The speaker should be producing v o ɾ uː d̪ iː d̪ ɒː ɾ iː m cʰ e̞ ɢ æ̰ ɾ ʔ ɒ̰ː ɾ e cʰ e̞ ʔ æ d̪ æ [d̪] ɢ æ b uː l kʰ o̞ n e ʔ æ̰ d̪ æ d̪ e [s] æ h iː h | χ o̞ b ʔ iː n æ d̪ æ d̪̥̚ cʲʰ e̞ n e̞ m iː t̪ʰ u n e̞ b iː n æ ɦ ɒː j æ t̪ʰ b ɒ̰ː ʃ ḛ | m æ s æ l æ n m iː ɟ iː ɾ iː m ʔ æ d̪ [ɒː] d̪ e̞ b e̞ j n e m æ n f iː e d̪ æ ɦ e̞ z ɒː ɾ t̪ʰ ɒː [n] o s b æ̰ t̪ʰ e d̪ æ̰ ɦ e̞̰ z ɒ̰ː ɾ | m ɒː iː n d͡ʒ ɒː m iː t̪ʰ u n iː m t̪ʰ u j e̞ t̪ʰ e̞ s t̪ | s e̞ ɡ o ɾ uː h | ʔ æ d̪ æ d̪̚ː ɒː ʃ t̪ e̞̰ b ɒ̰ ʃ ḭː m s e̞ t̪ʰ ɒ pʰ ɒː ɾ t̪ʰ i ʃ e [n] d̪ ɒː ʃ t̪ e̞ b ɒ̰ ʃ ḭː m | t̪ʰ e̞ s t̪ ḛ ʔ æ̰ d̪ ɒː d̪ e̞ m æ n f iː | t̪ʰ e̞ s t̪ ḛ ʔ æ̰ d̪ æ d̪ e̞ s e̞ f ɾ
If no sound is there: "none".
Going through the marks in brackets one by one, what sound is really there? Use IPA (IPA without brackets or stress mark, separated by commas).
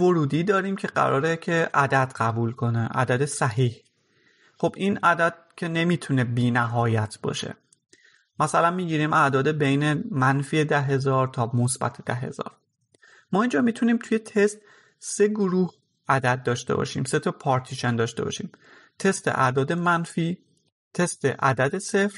d̪, s, ɒː, m, n